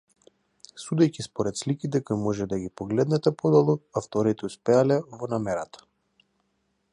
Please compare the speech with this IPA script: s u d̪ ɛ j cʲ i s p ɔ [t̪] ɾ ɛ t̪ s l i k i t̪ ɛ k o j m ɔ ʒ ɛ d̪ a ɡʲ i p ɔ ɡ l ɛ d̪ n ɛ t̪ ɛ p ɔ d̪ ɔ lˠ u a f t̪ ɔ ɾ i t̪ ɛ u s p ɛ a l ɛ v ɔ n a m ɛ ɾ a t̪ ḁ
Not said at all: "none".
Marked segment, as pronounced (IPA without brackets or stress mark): none